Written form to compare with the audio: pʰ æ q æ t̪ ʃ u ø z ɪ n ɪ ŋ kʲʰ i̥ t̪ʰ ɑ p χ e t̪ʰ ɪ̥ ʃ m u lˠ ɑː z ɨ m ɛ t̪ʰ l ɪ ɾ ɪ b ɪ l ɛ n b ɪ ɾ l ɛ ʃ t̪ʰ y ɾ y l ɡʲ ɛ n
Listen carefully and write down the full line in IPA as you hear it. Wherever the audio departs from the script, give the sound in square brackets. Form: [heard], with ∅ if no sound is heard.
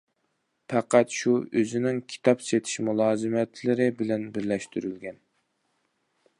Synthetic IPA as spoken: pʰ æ q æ t̪ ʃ u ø z ɪ n ɪ ŋ kʲʰ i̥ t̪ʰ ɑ p [s] e t̪ʰ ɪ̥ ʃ m u lˠ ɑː z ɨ m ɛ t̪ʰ l ɪ ɾ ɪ b ɪ l ɛ n b ɪ ɾ l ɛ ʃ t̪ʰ y ɾ y l ɡʲ ɛ n